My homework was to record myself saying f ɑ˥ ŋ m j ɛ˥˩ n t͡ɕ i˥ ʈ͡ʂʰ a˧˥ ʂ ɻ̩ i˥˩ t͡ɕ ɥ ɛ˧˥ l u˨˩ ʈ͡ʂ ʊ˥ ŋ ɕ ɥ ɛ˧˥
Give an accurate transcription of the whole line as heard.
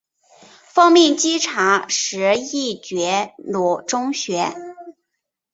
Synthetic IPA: f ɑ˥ ŋ m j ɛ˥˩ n t͡ɕ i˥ ʈ͡ʂʰ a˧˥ ʂ ɻ̩ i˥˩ t͡ɕ ɥ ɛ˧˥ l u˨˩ ʈ͡ʂ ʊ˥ ŋ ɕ ɥ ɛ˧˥